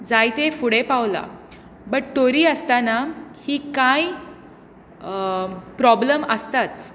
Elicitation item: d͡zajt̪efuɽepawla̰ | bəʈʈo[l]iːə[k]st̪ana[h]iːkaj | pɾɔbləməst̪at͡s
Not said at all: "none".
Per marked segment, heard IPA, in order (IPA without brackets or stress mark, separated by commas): ɾ, none, h